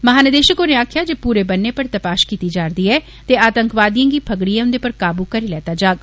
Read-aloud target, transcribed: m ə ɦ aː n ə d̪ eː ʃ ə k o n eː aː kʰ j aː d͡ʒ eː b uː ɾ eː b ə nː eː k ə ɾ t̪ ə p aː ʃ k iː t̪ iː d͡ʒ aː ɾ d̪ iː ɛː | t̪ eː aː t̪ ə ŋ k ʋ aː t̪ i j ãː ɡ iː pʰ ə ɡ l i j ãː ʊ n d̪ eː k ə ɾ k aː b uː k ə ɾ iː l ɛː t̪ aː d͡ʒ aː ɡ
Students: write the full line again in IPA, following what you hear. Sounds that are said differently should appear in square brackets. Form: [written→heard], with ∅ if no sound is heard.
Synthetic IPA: m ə ɦ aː n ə d̪ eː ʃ ə k o n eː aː kʰ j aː d͡ʒ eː [b→p] uː ɾ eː b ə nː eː [k→p] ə ɾ t̪ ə p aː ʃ k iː t̪ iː d͡ʒ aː ɾ d̪ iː ɛː | t̪ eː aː t̪ ə ŋ k ʋ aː [t̪→d̪] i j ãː ɡ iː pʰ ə ɡ [l→ɽ] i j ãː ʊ n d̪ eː [k→p] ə ɾ k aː b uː k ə ɾ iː l ɛː t̪ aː d͡ʒ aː ɡ